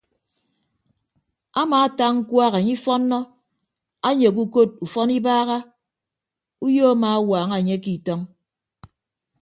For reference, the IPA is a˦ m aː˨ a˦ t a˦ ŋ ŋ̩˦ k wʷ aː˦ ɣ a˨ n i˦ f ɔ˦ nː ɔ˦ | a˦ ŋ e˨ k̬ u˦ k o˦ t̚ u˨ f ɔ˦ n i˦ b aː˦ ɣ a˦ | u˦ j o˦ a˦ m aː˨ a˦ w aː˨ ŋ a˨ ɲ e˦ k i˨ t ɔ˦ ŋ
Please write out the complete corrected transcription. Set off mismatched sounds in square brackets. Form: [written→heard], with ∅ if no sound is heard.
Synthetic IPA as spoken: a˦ m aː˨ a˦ t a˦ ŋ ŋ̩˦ k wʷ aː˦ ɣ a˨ [n→ɲ] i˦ f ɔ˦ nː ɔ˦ | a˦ [ŋ→ɲ] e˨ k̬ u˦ k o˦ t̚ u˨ f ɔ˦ n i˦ b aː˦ ɣ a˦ | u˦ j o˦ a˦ m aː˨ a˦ w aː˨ ŋ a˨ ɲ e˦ k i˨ t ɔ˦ ŋ